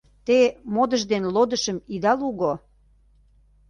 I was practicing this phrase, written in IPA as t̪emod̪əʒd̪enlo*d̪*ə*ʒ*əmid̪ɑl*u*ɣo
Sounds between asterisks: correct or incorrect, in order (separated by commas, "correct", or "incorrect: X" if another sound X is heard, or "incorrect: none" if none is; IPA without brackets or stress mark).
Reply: correct, incorrect: ʃ, correct